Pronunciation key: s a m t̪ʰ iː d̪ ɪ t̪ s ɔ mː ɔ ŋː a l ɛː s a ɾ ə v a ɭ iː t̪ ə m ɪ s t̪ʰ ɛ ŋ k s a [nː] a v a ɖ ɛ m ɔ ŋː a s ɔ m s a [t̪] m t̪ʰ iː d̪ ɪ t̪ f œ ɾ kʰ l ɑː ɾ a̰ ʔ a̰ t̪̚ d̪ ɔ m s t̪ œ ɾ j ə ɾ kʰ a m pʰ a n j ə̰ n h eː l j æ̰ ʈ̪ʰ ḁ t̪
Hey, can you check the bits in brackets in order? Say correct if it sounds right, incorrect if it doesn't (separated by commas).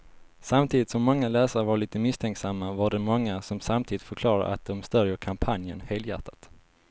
incorrect, incorrect